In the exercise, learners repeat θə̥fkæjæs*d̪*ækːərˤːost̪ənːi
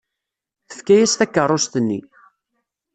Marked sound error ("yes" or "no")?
yes